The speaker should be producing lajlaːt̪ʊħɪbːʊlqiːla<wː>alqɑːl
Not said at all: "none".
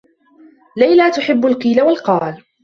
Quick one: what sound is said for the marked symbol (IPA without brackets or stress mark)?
w